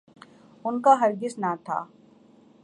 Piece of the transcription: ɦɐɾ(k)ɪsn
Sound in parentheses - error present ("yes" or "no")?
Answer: yes